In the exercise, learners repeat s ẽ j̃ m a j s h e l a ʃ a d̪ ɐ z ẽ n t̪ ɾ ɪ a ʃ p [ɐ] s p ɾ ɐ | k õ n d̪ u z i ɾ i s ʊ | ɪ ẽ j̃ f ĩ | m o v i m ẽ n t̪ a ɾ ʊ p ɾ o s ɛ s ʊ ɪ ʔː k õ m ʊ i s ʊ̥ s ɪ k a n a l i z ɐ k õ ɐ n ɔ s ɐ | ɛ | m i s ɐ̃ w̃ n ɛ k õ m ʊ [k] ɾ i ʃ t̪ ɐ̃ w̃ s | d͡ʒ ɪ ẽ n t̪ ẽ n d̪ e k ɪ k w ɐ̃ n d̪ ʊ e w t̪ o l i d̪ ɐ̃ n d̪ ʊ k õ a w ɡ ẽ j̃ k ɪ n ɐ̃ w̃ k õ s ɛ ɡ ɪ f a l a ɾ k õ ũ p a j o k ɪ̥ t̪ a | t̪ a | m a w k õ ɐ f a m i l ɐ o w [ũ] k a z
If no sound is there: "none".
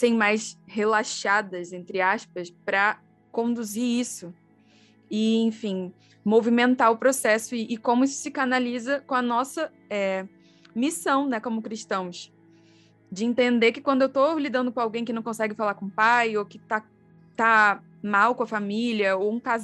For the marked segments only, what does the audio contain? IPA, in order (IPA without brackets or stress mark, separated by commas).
ɐ, k, ũ